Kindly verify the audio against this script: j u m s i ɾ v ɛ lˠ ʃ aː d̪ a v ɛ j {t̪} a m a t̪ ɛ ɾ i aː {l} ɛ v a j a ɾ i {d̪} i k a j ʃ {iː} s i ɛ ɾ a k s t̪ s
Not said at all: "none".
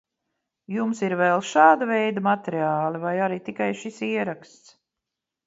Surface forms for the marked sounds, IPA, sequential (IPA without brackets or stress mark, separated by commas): d̪, l, t̪, i